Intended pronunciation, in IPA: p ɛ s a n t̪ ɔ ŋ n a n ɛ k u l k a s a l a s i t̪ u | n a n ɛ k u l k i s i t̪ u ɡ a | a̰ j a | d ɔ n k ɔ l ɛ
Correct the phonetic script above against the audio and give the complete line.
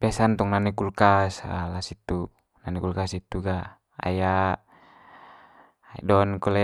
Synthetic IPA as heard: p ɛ s a n t̪ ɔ ŋ n a n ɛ k u l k a s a l a s i t̪ u | n a n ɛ k u l k a s i t̪ u ɡ a | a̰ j a | d ɔ n k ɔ l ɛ